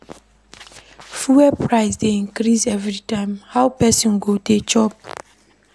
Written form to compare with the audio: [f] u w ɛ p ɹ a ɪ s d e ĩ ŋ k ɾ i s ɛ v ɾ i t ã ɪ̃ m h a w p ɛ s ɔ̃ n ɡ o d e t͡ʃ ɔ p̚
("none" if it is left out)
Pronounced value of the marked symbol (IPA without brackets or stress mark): f